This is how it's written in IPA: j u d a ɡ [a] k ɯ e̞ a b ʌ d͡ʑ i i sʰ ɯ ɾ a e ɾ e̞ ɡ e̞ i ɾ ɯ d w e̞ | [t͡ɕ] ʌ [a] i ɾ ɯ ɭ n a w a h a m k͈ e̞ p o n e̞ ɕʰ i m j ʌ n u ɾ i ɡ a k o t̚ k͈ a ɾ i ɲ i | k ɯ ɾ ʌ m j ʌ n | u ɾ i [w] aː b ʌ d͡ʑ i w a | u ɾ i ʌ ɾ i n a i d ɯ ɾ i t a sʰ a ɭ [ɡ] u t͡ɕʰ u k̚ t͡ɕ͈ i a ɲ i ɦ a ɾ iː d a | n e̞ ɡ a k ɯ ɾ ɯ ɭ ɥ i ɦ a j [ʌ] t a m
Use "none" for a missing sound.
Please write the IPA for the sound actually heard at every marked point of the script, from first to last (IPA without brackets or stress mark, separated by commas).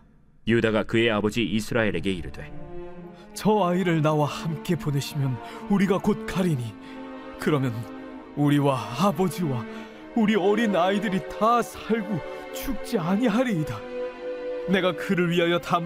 a, t͡ɕ, a, w, ɡ, ʌ